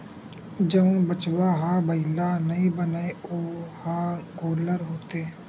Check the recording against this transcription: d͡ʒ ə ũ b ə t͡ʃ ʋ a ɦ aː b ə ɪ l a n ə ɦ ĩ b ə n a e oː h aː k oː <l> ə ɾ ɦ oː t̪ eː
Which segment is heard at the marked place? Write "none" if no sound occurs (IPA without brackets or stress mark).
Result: l